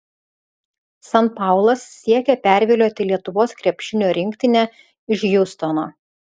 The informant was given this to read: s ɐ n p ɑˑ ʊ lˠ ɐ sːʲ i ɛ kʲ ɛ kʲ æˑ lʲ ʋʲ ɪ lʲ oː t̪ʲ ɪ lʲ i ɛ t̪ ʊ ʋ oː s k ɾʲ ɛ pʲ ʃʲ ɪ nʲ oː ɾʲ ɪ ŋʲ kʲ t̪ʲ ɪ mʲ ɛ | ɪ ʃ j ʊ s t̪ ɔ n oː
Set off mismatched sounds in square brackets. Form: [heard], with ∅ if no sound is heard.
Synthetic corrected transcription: s ɐ n p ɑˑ ʊ lˠ ɐ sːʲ i ɛ kʲ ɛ [pʲ] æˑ [ɾʲ] ʋʲ ɪ lʲ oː t̪ʲ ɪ lʲ i ɛ t̪ ʊ ʋ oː s k ɾʲ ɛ pʲ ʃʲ ɪ nʲ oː ɾʲ ɪ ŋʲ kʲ t̪ʲ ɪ [nʲ] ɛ | ɪ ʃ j ʊ s t̪ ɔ n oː